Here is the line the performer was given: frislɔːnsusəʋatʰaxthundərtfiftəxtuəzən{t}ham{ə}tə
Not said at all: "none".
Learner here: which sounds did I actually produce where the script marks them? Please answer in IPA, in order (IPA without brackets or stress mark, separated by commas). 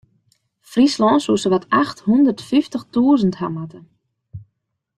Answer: t, a